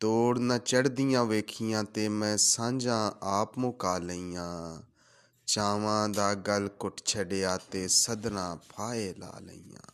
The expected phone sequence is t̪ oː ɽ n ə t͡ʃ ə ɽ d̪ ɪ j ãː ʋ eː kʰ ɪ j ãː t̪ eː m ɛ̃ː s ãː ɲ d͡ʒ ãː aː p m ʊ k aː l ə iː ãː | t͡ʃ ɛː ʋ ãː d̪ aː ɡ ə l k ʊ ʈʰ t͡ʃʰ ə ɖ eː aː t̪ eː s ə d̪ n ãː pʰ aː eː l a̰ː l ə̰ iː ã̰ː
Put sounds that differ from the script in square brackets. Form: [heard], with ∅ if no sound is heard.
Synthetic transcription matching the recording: t̪ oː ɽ n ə t͡ʃ ə ɽ d̪ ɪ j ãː ʋ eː kʰ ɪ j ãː t̪ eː m ɛ̃ː s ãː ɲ d͡ʒ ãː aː p m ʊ k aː l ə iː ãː | t͡ʃ [aː] ʋ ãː d̪ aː ɡ ə l k ʊ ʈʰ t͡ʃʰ ə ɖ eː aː t̪ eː s ə d̪ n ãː pʰ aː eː l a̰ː l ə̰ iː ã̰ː